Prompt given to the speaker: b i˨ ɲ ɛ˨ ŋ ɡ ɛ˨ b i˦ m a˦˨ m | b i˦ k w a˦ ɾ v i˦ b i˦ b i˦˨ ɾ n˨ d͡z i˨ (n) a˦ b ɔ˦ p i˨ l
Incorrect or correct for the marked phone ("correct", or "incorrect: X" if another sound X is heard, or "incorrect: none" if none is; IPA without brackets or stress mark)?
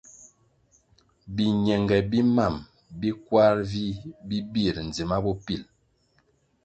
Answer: incorrect: m